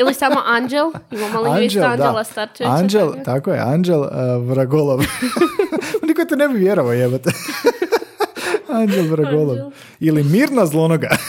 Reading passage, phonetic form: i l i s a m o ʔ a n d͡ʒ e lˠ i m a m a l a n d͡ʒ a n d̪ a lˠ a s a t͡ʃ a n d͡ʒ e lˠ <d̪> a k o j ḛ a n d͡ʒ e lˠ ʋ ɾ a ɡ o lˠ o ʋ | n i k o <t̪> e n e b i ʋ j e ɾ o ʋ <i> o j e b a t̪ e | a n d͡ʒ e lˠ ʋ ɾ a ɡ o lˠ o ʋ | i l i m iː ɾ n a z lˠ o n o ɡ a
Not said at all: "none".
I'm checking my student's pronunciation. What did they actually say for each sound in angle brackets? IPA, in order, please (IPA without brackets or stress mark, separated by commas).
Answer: t̪, t̪, a